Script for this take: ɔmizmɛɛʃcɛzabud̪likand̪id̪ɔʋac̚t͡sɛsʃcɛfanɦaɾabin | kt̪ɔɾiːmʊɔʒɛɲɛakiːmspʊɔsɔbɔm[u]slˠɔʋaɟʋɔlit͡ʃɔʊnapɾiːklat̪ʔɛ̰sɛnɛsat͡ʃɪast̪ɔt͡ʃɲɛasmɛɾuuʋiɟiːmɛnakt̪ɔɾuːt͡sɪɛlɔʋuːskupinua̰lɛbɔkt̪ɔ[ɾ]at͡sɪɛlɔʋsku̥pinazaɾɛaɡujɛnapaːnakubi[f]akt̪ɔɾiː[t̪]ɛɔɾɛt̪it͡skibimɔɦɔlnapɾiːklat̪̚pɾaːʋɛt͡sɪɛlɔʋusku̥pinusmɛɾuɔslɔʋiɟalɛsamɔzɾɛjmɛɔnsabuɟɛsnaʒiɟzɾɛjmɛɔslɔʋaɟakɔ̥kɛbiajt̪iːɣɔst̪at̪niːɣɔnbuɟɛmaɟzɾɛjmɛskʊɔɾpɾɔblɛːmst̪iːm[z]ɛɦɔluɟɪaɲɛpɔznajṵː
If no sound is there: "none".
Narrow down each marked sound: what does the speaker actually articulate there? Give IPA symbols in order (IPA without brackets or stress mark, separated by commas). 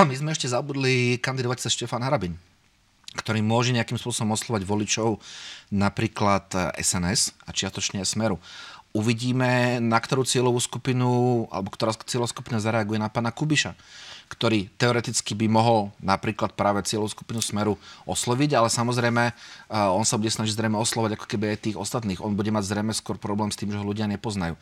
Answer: ɔ, ɾ, ʃ, t̪, ʒ